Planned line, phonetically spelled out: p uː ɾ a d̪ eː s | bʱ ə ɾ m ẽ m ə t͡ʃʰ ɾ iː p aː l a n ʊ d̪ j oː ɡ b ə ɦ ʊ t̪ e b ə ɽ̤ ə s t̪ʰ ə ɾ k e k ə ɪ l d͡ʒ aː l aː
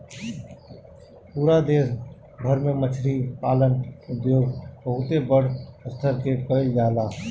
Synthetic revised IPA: p uː ɾ a d̪ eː s | bʱ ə ɾ m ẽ m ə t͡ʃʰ ɾ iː p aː l ə n ʊ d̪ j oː ɡ b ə ɦ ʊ t̪ e b ə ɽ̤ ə s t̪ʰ ə ɾ k e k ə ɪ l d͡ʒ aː l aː